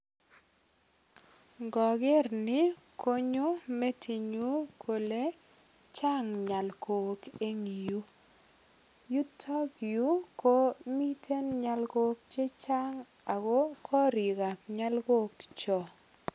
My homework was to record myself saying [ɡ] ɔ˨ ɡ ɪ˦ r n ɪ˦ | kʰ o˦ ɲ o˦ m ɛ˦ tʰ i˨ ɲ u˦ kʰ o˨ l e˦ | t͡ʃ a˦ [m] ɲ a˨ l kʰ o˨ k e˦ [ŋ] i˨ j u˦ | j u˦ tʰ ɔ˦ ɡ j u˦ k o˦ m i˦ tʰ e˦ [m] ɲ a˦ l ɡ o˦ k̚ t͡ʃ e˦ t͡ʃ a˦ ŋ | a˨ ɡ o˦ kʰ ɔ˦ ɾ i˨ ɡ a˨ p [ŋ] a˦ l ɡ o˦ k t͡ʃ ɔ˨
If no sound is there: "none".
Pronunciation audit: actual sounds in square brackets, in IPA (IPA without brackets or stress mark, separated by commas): ɡ, ŋ, ŋ, n, ɲ